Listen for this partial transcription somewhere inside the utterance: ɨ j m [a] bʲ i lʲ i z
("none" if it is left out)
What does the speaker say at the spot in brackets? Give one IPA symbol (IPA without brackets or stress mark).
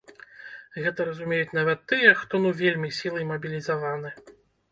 ɐ